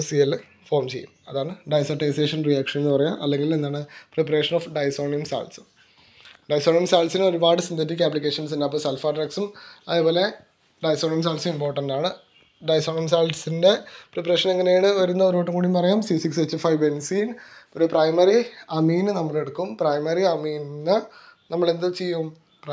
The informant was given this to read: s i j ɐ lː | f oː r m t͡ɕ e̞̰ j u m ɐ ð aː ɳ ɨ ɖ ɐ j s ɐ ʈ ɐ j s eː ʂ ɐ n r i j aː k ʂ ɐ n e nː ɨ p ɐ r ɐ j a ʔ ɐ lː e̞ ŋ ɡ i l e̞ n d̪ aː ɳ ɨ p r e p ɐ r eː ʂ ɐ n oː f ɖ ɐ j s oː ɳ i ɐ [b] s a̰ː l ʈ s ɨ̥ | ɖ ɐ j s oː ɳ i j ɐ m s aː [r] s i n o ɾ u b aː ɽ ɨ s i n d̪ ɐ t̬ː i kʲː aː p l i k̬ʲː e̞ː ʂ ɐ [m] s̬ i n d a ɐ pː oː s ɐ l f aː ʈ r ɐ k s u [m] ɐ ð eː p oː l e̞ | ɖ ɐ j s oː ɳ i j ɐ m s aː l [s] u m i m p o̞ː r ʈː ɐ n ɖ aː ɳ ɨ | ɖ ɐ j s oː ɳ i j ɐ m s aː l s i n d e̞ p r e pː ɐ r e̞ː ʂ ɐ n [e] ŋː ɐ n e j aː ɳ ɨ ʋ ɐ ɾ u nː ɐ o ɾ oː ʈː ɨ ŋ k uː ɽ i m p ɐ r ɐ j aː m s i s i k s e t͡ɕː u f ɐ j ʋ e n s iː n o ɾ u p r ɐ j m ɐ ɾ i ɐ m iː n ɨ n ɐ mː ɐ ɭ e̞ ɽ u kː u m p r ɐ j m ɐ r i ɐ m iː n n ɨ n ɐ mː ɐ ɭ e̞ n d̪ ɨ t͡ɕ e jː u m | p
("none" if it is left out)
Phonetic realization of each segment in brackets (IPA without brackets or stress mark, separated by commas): m, l, n, m, s, e